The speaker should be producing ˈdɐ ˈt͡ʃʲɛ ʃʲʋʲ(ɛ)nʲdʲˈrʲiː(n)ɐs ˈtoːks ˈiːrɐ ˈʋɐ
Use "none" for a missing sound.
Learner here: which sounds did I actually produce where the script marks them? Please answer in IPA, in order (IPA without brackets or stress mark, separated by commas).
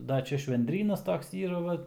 ɛ, n